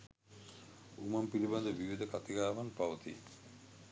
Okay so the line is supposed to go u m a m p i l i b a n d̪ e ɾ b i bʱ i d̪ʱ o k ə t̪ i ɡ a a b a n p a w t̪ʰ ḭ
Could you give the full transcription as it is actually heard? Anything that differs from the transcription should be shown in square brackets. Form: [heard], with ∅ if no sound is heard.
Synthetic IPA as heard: u m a m p i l i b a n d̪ e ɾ b i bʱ i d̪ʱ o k [a] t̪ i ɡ a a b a n p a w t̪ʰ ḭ